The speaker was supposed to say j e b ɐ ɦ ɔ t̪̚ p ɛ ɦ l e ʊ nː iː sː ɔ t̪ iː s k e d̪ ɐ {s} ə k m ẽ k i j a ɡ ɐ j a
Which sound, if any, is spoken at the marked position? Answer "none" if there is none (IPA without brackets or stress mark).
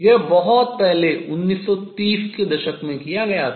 ʃ